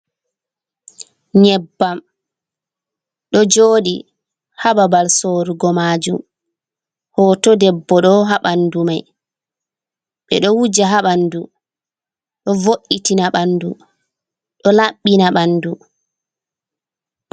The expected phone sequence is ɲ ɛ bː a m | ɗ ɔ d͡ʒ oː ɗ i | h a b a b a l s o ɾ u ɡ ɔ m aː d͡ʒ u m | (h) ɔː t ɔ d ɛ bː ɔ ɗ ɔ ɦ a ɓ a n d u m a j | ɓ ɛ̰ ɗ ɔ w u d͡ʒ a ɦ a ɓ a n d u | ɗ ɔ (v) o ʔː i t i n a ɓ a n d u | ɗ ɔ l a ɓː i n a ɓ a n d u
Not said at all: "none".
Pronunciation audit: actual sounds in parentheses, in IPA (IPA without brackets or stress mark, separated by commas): h, v